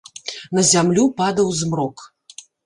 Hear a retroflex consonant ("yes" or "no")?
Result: no